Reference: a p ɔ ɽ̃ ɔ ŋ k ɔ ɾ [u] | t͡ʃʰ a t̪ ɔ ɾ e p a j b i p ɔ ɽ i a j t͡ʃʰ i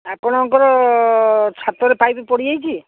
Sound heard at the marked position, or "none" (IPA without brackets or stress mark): ɔ